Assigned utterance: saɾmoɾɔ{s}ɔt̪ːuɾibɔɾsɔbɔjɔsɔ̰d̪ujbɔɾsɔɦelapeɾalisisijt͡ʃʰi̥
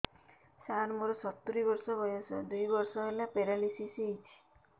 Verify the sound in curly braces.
correct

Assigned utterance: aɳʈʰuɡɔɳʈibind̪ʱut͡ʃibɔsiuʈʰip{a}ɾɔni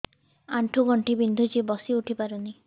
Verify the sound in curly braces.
correct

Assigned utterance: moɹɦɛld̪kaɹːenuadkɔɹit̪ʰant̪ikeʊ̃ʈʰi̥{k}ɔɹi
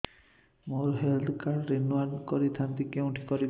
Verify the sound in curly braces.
correct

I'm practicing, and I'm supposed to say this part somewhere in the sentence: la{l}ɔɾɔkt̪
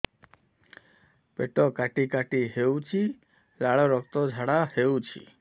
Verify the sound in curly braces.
incorrect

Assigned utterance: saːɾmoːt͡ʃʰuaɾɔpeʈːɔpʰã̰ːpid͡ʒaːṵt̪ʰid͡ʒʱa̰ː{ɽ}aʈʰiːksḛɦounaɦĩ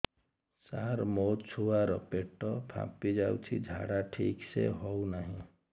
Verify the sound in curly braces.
correct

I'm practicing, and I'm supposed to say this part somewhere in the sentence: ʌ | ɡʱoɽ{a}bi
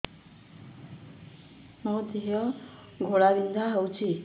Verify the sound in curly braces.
correct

